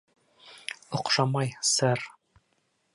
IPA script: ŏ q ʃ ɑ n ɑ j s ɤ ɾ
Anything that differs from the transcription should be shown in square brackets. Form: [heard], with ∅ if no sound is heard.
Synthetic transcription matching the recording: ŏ q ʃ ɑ [m] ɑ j s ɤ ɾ